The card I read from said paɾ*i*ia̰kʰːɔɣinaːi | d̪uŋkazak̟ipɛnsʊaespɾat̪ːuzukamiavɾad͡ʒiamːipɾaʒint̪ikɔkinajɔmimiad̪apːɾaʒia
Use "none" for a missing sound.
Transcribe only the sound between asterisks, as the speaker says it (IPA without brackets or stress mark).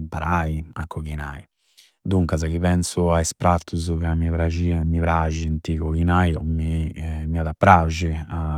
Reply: a